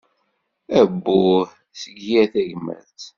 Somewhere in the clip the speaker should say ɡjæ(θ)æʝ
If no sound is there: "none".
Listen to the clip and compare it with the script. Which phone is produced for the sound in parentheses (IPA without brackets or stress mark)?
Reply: θ